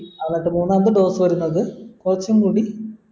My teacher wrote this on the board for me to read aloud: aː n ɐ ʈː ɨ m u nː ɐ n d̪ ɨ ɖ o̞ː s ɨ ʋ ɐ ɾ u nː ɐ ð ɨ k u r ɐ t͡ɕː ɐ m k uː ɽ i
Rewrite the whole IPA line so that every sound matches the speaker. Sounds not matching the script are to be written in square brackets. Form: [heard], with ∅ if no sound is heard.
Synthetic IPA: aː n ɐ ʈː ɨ m [uː] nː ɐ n d̪ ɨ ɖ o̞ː s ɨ ʋ ɐ ɾ u nː ɐ ð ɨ k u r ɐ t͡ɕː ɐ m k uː ɽ i